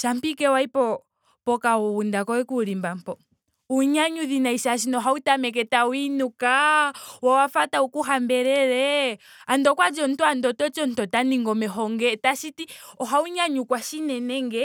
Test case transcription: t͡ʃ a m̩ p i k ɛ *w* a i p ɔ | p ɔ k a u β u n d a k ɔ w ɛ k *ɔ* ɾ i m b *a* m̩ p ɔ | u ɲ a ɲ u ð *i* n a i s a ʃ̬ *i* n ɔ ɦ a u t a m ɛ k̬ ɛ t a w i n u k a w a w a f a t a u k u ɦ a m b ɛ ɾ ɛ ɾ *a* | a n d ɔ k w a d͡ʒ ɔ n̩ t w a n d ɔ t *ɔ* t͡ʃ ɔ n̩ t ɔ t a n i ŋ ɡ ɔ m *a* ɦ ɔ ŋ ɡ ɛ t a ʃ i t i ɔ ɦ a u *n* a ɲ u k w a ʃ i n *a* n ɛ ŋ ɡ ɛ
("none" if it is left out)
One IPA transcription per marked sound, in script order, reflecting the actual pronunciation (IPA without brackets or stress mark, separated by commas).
w, u, a, i, i, ɛ, ɔ, ɛ, ɲ, ɛ